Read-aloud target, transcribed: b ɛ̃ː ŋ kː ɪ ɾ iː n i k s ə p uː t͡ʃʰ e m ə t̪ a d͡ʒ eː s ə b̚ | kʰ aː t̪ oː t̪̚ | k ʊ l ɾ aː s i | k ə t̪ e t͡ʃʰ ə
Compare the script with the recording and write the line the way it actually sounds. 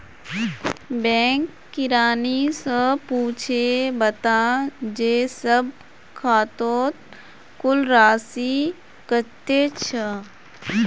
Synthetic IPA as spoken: b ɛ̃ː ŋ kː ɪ ɾ aː n i s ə p uː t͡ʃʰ e b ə t̪ a d͡ʒ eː s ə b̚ | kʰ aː t̪ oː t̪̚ | k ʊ l ɾ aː s i | k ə t̪ e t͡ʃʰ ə